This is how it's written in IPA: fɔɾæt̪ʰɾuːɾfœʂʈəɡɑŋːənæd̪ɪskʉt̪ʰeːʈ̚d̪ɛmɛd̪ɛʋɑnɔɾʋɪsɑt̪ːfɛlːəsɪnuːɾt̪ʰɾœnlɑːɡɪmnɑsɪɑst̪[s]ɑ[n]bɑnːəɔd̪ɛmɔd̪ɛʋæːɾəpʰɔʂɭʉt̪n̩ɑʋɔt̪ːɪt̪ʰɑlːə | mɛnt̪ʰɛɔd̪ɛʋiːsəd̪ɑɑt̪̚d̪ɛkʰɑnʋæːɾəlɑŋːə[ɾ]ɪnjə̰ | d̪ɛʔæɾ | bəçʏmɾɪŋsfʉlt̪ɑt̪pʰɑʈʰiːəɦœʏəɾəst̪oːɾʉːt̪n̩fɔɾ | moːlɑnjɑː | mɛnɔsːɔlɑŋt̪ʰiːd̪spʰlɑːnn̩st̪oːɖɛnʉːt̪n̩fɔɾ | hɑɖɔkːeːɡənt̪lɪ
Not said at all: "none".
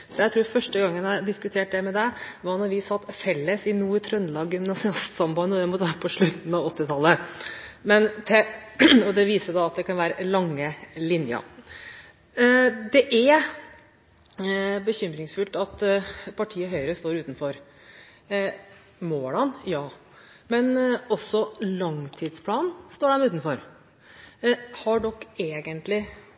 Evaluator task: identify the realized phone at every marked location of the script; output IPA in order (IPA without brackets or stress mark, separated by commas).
s, m, l